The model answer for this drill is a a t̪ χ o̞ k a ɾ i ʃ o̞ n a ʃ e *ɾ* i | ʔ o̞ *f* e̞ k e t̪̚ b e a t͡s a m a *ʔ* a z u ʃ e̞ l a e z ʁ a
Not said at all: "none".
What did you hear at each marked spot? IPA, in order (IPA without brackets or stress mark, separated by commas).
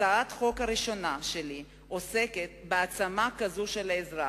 l, s, k